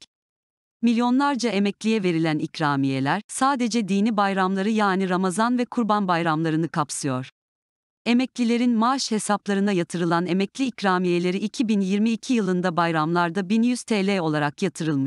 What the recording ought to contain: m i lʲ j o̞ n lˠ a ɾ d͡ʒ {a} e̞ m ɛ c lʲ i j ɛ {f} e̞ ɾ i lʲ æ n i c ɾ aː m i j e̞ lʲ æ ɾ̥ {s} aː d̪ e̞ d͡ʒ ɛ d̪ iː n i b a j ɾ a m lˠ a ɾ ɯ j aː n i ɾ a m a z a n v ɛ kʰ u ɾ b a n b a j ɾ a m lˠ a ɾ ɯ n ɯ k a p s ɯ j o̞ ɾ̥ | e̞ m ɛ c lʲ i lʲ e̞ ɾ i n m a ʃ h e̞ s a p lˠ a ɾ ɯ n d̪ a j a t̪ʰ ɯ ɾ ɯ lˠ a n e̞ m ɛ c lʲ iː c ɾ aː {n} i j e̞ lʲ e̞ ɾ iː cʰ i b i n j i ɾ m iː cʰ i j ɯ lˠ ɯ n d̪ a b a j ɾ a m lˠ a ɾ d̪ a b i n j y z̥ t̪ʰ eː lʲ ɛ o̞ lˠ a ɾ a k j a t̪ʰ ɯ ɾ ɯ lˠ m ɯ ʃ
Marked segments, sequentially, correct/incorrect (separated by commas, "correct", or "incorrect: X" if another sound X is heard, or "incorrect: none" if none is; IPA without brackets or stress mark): correct, incorrect: v, correct, incorrect: m